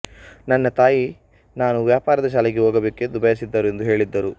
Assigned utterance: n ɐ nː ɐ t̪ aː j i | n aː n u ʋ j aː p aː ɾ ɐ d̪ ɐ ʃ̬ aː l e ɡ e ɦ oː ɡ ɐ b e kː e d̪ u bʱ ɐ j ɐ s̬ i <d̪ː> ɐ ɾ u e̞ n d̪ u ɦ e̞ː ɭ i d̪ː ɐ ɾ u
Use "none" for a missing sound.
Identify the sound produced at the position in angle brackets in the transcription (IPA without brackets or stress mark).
d̪ː